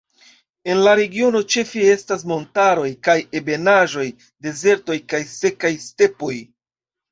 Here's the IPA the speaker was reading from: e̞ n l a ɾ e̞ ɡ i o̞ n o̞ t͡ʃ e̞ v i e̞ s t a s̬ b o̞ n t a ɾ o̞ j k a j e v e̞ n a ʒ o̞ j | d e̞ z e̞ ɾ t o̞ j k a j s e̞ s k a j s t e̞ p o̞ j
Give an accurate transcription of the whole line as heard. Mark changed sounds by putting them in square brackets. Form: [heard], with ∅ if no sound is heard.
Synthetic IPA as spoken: e̞ n l a ɾ e̞ ɡ i o̞ n o̞ t͡ʃ e̞ [f] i e̞ s t a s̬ [m] o̞ n t a ɾ o̞ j k a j e [b] e̞ n a ʒ o̞ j | d e̞ z e̞ ɾ t o̞ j k a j s e̞ [∅] k a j s t e̞ p o̞ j